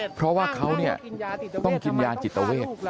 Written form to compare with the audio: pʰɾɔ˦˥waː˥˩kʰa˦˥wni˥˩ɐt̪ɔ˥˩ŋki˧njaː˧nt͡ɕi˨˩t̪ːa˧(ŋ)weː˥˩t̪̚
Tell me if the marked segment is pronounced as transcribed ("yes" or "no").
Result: no